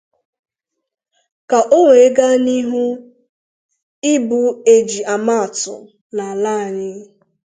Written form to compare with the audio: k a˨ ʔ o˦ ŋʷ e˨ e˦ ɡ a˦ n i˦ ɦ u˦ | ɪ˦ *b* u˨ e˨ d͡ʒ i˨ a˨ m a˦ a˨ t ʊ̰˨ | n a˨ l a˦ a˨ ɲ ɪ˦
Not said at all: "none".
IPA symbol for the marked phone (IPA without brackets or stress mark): b